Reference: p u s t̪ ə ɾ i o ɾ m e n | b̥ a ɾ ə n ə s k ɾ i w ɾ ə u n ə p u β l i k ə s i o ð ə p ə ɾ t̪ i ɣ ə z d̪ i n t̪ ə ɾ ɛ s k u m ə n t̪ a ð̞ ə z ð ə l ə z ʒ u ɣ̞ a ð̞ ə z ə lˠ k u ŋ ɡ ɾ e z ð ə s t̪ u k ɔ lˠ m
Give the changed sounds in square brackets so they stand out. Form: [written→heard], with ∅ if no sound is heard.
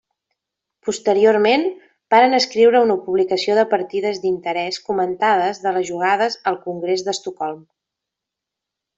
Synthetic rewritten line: p u s t̪ ə ɾ i o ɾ m e n | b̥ a ɾ ə n ə s k ɾ i w ɾ ə u n ə p u β l i k ə s i o ð ə p ə ɾ t̪ i [ɣ→ð] ə z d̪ i n t̪ ə ɾ ɛ s k u m ə n t̪ a ð̞ ə z ð ə l ə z ʒ u ɣ̞ a ð̞ ə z ə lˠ k u ŋ ɡ ɾ e z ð ə s t̪ u k ɔ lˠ m